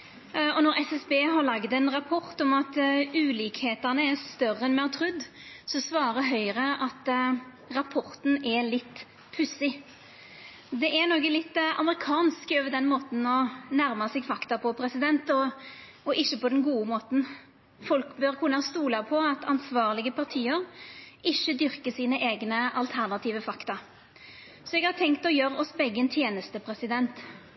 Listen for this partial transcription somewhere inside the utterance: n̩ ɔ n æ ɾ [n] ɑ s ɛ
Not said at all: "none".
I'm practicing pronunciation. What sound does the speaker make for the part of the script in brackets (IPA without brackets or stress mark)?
m